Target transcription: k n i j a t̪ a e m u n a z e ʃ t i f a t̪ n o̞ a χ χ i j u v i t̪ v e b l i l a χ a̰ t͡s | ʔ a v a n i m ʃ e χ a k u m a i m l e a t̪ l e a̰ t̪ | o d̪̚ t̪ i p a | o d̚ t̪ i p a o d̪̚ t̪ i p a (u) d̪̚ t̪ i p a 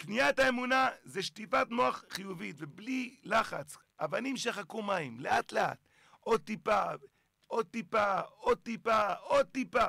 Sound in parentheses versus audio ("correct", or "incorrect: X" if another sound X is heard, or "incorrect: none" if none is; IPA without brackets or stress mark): incorrect: o